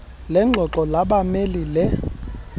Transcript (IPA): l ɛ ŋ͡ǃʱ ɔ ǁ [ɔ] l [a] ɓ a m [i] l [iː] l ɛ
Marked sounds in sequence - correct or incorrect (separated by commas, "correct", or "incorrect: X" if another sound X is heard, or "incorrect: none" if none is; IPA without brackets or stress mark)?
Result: correct, correct, incorrect: e, incorrect: i